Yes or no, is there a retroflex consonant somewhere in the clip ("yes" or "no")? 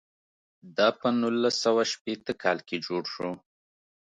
yes